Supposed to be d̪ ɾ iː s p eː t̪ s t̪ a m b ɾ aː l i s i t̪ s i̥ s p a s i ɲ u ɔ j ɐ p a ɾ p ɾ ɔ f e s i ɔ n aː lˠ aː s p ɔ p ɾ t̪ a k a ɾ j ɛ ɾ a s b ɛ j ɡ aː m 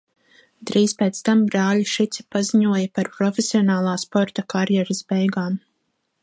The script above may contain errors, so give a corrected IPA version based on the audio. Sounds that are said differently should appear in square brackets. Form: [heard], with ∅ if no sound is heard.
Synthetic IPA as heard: d̪ ɾ iː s p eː t̪ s t̪ a m b ɾ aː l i [ʃ] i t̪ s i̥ [∅] p a [z] i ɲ u ɔ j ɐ p a ɾ p ɾ ɔ f e s i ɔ n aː lˠ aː s p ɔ [∅] ɾ t̪ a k a ɾ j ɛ ɾ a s b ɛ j ɡ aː m